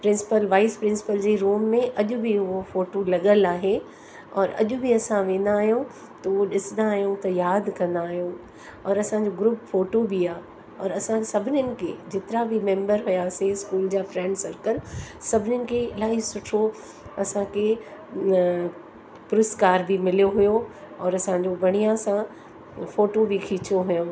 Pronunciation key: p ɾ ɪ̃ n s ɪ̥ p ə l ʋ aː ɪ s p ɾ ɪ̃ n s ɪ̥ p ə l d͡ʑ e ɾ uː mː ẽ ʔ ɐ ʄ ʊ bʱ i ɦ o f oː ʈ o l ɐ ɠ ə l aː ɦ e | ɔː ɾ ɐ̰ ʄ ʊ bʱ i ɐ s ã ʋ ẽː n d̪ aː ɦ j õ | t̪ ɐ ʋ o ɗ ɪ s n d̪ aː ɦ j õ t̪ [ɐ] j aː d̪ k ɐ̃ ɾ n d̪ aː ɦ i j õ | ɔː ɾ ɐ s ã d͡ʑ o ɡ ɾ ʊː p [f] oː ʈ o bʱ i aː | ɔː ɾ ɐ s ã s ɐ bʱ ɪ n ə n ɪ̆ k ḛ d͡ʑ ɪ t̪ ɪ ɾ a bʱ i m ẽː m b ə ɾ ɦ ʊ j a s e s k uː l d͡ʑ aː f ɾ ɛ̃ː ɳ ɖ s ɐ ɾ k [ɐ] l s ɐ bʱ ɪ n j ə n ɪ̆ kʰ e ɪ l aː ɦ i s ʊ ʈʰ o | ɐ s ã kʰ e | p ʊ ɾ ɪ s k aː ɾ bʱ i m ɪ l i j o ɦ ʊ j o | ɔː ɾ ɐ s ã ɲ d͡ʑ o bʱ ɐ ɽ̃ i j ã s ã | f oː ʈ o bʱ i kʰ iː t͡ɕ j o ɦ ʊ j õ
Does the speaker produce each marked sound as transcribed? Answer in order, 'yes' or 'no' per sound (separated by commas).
yes, yes, no